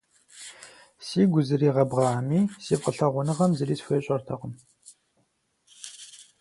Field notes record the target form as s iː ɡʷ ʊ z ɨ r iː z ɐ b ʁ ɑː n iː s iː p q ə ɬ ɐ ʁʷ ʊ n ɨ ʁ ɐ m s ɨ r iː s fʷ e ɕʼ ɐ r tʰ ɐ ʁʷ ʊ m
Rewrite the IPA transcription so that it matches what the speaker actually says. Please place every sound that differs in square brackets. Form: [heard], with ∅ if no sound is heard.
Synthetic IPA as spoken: s iː ɡʷ ʊ z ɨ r iː [ʁ] ɐ b ʁ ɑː [m] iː s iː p q ə ɬ ɐ ʁʷ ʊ n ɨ ʁ ɐ m [z] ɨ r iː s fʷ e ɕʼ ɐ r tʰ ɐ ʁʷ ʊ m